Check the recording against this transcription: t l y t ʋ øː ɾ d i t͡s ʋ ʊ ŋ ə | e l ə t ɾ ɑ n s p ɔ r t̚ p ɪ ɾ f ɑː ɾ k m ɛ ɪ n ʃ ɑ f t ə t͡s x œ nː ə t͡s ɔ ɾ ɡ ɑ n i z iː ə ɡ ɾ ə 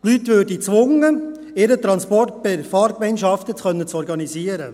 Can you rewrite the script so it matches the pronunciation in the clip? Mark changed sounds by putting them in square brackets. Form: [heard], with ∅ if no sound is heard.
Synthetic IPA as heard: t l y t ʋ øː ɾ d i t͡s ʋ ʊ ŋ ə | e [ɾ] ə t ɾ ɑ n s p ɔ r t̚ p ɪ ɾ f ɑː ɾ k m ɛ ɪ n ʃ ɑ f t ə t͡s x œ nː ə t͡s ɔ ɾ ɡ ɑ n i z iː ə [∅] ɾ ə